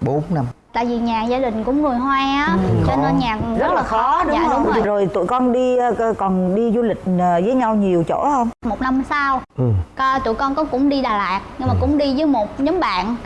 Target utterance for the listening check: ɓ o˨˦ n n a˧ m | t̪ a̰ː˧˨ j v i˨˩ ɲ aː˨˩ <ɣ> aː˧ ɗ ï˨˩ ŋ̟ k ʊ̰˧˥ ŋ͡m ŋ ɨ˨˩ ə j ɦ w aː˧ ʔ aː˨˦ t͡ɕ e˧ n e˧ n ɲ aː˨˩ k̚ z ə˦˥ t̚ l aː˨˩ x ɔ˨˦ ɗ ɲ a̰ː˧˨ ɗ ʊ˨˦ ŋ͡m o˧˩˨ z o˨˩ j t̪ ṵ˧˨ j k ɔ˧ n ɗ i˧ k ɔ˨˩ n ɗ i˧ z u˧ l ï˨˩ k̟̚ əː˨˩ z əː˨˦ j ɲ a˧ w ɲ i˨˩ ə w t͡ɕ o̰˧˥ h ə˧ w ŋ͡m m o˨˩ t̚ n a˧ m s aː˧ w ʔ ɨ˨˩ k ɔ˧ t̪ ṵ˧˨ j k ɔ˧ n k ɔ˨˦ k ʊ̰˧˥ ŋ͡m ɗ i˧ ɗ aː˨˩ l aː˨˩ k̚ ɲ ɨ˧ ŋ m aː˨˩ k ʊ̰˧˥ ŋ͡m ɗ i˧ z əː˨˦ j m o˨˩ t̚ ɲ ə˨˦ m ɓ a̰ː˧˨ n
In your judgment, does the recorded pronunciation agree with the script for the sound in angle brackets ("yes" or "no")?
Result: no